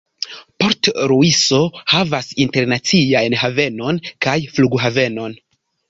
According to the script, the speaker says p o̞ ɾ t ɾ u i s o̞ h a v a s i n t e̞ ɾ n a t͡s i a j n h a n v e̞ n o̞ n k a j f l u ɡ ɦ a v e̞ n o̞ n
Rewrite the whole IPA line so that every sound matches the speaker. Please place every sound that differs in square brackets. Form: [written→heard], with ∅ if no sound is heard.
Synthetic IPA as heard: p o̞ ɾ t ɾ u i s o̞ h a v a s i n t e̞ ɾ n a t͡s i a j n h a [n→∅] v e̞ n o̞ n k a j f l u ɡ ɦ a v e̞ n o̞ n